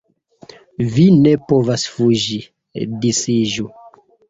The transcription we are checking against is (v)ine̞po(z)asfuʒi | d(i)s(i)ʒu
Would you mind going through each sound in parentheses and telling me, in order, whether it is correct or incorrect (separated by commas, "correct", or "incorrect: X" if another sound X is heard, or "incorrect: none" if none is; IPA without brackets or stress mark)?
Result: correct, incorrect: v, correct, correct